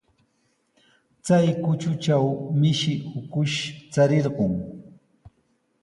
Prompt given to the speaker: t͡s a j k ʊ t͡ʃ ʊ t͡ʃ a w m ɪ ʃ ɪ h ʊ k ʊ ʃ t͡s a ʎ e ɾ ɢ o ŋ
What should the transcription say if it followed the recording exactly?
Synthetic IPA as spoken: t͡s a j k ʊ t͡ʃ ʊ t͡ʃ a w m ɪ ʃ ɪ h ʊ k ʊ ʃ t͡s a ɾ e ɾ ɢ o ŋ